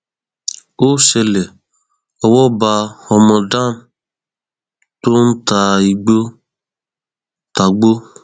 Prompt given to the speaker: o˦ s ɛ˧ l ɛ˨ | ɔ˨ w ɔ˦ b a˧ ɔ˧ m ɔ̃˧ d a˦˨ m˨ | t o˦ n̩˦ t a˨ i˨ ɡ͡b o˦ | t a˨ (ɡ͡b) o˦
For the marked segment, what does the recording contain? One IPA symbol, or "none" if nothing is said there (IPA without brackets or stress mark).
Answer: ɡ͡b